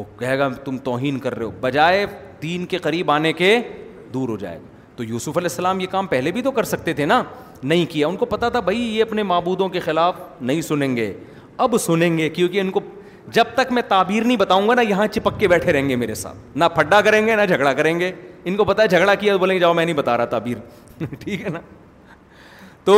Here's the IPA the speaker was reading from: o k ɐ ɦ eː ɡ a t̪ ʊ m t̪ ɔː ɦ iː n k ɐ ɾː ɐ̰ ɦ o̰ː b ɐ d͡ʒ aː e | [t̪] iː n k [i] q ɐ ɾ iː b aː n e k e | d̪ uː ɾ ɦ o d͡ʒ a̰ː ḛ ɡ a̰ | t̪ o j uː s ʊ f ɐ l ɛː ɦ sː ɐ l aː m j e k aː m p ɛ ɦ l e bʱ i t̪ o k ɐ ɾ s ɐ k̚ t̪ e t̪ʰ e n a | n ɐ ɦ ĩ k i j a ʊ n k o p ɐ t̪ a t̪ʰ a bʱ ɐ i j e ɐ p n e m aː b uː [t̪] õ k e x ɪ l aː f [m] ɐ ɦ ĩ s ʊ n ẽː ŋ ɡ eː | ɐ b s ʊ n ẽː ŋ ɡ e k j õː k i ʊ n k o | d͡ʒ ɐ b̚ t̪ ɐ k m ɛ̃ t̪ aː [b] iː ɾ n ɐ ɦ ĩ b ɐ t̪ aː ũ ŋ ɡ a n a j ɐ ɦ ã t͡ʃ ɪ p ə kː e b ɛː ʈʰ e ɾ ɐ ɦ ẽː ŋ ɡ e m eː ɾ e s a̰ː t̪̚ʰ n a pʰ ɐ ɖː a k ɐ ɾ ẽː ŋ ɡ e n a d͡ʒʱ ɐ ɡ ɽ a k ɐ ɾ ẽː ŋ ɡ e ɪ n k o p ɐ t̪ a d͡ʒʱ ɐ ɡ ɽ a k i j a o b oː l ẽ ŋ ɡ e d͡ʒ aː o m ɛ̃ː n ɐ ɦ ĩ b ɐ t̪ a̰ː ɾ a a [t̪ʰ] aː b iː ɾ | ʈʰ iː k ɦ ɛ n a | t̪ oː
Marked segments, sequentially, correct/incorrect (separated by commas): incorrect, incorrect, incorrect, incorrect, correct, incorrect